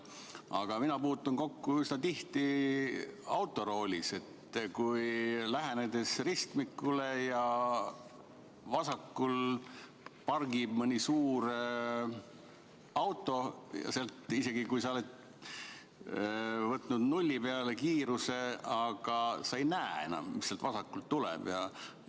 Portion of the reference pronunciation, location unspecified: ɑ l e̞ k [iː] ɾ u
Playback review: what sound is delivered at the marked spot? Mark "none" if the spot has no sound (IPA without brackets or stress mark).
iː